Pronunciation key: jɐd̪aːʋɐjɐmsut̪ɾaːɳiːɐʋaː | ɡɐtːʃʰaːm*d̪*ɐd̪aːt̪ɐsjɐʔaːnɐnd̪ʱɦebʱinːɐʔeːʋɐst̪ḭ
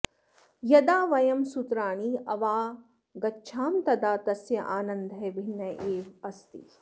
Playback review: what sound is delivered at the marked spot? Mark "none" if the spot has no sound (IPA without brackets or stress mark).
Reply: t̪